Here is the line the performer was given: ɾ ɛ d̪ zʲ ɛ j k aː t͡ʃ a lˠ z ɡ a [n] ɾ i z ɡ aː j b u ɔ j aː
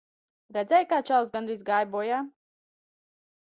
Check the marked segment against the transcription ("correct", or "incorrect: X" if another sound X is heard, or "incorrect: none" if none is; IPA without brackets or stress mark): correct